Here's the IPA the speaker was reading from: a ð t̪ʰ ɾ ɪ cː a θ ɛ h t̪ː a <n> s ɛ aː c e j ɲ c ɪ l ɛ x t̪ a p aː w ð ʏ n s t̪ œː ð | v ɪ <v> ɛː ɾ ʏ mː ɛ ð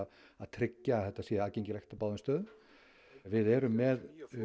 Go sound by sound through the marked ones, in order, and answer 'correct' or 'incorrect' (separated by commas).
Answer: incorrect, incorrect